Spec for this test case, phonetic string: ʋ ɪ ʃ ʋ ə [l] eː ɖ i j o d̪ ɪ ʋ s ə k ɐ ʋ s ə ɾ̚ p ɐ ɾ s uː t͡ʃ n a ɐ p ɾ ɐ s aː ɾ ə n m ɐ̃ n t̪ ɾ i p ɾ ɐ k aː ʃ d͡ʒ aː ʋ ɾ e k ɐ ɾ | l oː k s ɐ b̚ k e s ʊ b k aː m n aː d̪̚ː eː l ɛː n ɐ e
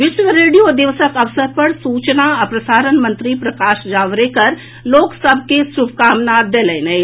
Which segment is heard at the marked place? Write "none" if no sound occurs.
ɾ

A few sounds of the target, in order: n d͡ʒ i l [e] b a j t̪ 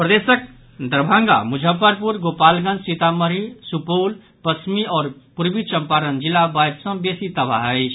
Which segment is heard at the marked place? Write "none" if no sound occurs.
a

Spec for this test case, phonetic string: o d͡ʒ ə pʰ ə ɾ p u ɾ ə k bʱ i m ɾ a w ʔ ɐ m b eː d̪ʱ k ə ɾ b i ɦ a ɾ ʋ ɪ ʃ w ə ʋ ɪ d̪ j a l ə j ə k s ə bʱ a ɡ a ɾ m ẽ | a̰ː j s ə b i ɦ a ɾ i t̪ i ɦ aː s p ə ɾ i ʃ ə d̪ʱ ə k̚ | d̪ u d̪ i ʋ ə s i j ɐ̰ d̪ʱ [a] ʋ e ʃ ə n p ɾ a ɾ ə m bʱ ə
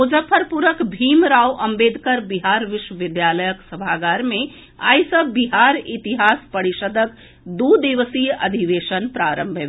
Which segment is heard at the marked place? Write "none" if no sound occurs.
i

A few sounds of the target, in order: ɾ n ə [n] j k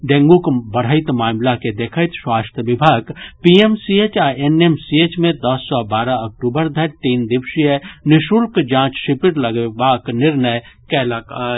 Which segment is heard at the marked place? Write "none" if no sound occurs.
none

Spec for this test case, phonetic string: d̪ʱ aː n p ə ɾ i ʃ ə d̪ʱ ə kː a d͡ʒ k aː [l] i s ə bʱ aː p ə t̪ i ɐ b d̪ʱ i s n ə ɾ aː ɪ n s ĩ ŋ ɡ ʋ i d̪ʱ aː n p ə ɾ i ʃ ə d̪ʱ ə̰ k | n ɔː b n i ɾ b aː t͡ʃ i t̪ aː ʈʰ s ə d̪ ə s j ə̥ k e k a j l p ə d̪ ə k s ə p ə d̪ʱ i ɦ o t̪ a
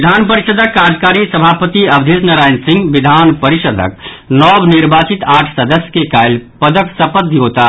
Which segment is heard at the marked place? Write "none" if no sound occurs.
ɾ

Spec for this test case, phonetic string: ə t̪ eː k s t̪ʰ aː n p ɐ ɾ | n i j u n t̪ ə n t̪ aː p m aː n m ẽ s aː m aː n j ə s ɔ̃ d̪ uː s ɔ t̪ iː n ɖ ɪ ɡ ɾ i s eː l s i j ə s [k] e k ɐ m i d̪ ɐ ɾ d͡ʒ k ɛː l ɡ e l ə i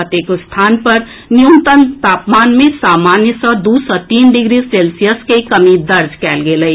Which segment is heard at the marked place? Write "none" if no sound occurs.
k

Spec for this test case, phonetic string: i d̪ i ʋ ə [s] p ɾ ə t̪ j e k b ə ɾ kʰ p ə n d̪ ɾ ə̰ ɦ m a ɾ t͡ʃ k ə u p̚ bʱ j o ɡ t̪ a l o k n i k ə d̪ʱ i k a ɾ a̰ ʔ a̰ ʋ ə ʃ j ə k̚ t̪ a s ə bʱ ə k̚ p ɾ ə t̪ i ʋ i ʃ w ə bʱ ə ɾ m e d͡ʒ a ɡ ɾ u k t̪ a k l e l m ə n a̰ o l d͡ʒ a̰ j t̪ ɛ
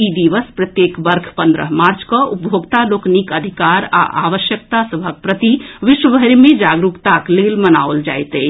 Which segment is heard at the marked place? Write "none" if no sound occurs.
s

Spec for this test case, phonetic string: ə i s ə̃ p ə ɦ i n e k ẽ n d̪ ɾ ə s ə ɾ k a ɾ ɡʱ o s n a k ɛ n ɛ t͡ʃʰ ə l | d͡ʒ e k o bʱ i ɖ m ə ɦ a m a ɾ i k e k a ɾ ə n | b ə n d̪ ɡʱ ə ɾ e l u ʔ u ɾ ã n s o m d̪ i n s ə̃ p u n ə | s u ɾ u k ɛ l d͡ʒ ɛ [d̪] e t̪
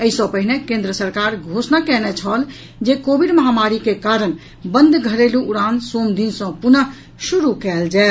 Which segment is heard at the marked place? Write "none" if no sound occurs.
none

